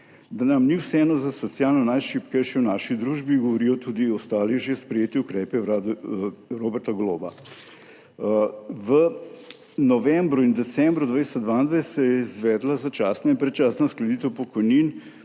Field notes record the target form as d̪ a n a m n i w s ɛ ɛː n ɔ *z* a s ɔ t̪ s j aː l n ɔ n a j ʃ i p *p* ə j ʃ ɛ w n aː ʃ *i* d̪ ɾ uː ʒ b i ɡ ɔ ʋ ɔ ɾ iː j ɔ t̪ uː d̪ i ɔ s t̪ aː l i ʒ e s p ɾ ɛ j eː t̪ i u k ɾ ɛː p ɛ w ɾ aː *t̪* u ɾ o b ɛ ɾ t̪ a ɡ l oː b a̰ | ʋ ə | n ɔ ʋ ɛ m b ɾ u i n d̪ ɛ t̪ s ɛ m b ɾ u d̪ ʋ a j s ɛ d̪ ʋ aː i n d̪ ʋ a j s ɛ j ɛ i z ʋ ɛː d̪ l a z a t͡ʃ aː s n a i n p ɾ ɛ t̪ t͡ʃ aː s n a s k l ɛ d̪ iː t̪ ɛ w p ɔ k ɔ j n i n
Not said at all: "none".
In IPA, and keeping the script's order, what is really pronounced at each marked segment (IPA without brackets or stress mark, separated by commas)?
z, k, i, d̪